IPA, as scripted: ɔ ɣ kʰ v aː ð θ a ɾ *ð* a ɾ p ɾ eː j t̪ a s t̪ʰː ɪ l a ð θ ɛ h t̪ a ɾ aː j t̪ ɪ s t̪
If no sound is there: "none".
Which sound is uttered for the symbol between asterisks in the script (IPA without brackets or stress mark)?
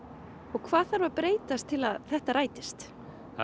v